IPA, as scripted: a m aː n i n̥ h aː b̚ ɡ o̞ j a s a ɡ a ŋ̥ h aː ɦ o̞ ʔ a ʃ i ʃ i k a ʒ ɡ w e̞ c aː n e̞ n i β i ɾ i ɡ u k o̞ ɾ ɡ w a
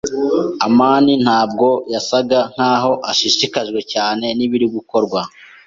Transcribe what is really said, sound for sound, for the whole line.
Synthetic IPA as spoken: a m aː n i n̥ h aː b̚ ɡ o̞ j a s a ɡ a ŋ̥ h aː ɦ o̞ ʔ a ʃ i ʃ i k a ʒ ɡ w e̞ c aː n e̞ n i β i ɾ i ɡ u k o̞ ɾ ɡ w a